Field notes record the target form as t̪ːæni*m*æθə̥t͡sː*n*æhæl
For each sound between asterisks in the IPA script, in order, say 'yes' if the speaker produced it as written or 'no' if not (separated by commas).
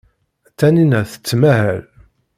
no, no